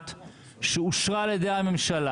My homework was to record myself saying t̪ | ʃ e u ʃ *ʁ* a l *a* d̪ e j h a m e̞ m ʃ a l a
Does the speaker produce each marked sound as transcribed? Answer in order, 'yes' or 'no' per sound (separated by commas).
yes, no